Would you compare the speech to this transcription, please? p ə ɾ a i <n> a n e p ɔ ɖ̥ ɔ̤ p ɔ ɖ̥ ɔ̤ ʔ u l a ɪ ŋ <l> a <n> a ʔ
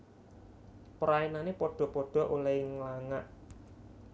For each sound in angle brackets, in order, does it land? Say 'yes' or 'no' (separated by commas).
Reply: yes, yes, no